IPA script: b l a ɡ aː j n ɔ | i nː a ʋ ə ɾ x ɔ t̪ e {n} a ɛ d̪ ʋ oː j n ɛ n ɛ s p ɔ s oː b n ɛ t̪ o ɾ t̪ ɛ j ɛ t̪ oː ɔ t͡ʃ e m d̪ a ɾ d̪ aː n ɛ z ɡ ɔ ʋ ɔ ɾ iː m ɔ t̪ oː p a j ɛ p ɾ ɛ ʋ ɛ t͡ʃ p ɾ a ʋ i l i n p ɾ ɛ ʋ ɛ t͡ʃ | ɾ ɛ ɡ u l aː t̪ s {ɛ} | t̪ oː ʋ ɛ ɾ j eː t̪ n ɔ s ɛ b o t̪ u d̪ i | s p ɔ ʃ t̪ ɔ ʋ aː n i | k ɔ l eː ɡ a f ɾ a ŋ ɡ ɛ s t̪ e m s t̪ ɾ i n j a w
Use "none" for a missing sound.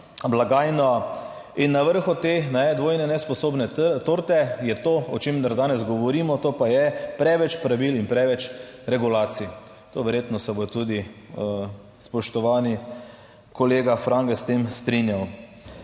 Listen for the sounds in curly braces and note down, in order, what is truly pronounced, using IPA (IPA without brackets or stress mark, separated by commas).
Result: n, i